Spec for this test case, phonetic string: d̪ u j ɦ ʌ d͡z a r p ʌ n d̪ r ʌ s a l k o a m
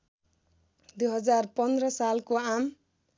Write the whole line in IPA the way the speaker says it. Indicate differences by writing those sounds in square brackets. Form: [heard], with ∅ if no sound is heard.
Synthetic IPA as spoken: d̪ u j ɦ ʌ d͡z a r p ʌ n d̪ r ʌ s a l k o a m